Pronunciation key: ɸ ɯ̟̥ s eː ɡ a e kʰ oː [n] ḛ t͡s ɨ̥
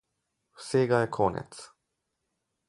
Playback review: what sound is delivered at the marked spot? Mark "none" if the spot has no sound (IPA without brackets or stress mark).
n